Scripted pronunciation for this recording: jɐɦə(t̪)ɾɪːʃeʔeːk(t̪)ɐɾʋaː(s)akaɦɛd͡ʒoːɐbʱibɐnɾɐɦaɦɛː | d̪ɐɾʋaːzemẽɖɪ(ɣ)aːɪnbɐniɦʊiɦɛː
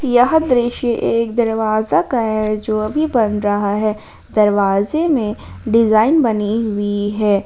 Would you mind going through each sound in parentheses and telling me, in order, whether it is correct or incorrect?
incorrect, incorrect, incorrect, incorrect

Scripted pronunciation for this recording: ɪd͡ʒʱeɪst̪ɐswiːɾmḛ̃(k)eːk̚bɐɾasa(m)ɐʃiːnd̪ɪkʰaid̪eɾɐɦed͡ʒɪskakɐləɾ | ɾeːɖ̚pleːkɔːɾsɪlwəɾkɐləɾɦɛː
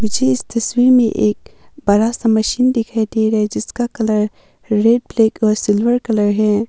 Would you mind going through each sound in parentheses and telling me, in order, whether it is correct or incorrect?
incorrect, correct

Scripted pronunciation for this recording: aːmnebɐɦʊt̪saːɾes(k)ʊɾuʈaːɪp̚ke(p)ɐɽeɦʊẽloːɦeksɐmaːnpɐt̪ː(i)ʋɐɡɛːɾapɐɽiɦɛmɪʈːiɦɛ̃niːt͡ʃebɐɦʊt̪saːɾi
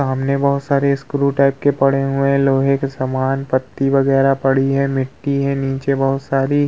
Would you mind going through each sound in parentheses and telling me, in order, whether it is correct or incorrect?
correct, correct, correct

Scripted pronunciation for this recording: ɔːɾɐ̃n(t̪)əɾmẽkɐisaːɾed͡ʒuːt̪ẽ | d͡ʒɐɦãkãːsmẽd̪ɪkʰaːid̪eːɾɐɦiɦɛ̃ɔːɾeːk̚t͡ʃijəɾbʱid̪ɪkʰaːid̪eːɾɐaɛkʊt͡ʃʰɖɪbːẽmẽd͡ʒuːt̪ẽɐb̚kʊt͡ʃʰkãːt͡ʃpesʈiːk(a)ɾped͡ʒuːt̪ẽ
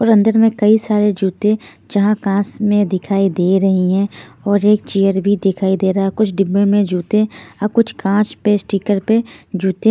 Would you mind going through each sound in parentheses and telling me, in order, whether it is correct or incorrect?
incorrect, incorrect

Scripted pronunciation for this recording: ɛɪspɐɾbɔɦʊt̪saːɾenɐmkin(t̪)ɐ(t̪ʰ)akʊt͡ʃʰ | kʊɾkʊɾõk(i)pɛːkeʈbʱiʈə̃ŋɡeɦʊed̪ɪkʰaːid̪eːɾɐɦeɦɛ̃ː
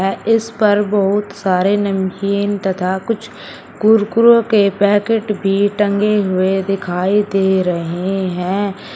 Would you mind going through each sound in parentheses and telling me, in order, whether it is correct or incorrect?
correct, correct, incorrect

